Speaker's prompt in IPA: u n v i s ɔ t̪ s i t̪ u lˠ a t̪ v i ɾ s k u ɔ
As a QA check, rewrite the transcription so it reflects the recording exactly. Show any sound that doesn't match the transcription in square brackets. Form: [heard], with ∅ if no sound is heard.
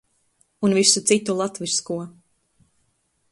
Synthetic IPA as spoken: u n v i s [u] t̪ s i t̪ u lˠ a t̪ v i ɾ s k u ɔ